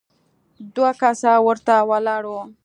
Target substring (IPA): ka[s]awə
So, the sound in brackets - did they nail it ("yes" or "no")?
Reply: yes